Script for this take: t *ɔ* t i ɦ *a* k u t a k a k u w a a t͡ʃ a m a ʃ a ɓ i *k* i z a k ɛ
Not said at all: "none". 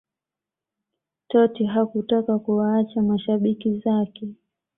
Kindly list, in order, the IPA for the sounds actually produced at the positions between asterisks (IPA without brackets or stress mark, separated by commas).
ɔ, a, k